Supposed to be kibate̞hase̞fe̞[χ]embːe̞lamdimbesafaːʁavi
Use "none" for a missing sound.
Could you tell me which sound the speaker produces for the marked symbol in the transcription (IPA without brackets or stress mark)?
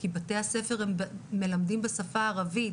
ʁ